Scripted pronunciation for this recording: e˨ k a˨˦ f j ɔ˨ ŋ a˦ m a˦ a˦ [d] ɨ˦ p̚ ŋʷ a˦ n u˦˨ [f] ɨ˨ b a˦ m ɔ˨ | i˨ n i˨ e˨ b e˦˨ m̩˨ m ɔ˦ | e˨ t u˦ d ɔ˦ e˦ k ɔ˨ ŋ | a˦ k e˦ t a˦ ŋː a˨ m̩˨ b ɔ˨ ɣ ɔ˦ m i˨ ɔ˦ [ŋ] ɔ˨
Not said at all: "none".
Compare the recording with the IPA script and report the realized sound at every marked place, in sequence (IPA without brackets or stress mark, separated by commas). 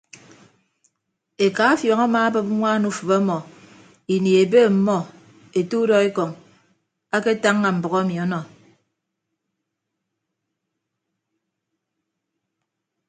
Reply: b, f, n